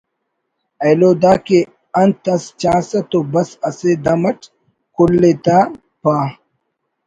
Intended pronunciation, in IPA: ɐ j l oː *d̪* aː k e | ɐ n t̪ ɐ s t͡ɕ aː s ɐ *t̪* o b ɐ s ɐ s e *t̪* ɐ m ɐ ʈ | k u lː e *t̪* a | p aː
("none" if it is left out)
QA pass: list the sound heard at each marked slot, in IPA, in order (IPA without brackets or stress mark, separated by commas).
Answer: d̪, t̪, d̪, t̪